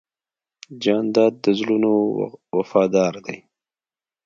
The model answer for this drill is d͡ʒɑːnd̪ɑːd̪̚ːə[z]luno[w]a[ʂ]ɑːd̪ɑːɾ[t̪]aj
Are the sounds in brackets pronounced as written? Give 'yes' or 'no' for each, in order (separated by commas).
yes, yes, no, no